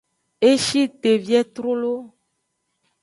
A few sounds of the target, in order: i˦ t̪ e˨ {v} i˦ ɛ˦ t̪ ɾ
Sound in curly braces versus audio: correct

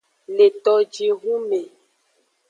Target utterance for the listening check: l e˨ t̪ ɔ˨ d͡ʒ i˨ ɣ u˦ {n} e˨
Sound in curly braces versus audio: incorrect: m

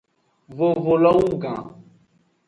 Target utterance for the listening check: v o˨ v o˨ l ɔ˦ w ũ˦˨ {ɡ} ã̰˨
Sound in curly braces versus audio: correct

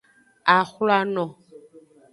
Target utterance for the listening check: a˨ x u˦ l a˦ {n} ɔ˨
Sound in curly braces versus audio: correct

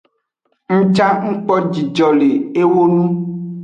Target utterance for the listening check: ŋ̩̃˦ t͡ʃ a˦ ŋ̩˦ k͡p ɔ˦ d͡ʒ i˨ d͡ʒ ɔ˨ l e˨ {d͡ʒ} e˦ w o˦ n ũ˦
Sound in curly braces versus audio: incorrect: none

